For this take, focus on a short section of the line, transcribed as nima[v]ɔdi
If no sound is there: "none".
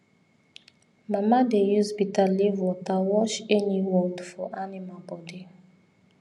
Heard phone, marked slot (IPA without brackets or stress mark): b